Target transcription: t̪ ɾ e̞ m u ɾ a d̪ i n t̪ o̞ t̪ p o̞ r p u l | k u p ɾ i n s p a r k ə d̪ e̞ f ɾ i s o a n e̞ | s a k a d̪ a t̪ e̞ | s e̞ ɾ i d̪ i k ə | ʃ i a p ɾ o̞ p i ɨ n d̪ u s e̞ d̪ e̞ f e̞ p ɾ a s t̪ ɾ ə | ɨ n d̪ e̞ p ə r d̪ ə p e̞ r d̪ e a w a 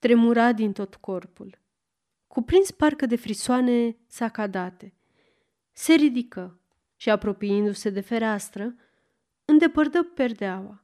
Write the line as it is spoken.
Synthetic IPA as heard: t̪ ɾ e̞ m u ɾ a d̪ i n t̪ o̞ t̪ k o̞ r p u l | k u p ɾ i n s p a r k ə d̪ e̞ f ɾ i s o a n e̞ | s a k a d̪ a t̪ e̞ | s e̞ ɾ i d̪ i k ə | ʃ i a p ɾ o̞ p i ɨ n d̪ u s e̞ d̪ e̞ f e̞ ɾ a s t̪ ɾ ə | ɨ n d̪ e̞ p ə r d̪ ə p e̞ r d̪ e a w a